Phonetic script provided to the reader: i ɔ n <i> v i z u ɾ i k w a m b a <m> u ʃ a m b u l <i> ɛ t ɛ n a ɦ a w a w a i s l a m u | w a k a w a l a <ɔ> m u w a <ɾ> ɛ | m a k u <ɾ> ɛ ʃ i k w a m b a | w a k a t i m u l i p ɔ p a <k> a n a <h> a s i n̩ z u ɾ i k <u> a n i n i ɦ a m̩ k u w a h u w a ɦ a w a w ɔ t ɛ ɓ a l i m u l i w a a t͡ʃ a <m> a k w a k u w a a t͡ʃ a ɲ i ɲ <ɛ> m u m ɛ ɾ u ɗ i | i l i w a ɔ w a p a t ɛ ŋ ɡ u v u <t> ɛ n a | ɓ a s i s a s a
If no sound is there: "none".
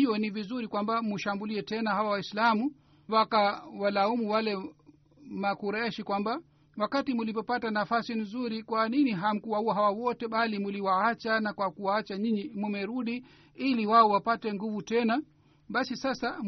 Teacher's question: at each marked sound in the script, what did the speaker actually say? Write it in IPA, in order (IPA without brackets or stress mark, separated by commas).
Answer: i, m, i, u, l, ɾ, t, f, w, n, i, t